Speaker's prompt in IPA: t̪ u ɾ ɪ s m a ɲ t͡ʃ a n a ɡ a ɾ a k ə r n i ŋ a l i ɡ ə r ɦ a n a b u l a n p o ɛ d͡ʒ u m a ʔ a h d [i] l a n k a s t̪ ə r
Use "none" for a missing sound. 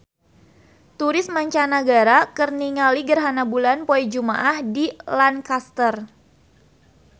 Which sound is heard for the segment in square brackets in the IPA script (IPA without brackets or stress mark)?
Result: i